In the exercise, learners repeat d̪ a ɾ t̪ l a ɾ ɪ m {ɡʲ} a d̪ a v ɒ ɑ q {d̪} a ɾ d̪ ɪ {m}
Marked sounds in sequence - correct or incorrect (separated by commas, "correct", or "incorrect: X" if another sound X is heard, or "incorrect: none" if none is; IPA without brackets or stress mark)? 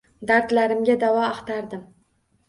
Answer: correct, incorrect: t̪, correct